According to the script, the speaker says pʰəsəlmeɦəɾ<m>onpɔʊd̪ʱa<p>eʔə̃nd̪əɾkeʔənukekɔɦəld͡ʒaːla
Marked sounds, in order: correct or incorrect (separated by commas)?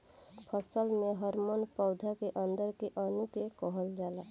correct, incorrect